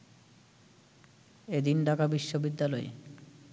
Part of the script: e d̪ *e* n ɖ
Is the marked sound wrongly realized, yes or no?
yes